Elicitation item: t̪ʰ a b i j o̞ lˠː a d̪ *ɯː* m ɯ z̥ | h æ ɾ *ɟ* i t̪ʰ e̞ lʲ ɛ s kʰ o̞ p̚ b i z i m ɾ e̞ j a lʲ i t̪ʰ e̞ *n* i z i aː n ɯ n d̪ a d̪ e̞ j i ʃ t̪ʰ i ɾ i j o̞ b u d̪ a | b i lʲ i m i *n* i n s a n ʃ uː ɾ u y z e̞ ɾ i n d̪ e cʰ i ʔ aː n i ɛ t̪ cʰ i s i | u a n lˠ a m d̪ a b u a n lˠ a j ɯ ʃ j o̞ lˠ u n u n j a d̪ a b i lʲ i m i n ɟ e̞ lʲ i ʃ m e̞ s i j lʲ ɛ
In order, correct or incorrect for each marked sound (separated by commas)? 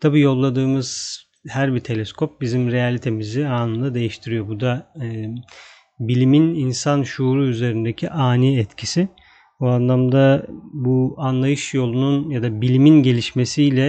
correct, incorrect, incorrect, correct